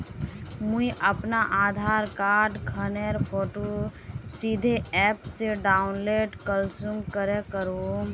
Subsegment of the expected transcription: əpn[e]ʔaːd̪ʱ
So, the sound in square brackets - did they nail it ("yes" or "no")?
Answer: no